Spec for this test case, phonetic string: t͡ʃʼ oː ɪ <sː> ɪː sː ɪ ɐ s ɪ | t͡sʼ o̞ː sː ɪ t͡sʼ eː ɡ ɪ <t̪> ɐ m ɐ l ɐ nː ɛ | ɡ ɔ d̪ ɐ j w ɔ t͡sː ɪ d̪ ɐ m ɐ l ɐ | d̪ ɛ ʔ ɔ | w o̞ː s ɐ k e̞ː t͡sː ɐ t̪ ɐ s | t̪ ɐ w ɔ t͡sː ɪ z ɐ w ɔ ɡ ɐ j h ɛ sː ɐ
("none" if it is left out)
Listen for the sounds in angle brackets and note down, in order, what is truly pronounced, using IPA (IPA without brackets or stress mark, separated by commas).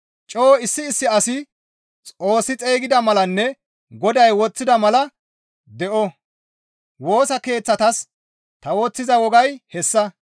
sː, d̪